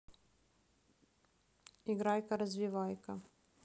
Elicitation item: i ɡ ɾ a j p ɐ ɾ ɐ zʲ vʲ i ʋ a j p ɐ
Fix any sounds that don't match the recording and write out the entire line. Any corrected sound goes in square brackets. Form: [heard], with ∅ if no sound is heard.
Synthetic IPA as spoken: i ɡ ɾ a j [k] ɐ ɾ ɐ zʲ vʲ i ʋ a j [k] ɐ